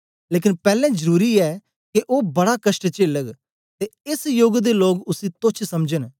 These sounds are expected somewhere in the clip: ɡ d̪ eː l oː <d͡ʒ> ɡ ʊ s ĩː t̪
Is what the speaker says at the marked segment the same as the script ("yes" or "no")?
no